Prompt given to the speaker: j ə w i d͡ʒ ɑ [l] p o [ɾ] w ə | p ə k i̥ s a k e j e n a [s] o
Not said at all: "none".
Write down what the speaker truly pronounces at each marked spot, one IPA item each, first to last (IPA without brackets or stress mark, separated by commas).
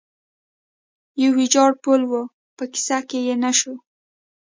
ɽ, l, ʃ